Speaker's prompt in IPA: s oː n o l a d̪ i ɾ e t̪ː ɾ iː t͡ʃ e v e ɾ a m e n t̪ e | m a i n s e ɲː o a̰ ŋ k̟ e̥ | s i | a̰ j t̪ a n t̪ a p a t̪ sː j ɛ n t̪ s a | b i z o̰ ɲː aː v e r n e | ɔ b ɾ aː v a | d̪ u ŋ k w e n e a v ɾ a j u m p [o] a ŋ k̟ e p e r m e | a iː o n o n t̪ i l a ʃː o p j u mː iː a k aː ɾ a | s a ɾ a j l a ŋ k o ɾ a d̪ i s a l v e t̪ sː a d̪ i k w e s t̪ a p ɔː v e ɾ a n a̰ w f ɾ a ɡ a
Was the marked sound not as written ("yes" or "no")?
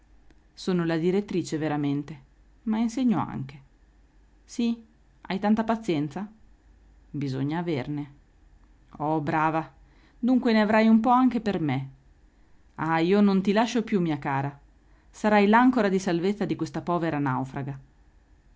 yes